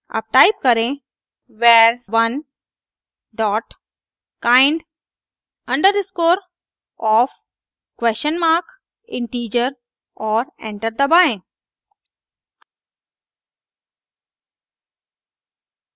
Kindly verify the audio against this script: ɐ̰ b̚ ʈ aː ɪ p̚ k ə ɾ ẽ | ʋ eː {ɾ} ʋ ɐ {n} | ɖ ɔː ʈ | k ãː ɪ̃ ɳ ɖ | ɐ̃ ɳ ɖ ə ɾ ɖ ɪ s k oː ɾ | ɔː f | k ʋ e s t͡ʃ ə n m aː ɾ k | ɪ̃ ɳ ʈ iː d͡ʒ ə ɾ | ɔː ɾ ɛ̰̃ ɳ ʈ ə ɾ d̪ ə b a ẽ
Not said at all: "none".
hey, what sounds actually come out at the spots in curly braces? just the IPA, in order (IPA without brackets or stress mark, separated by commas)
ɾ, n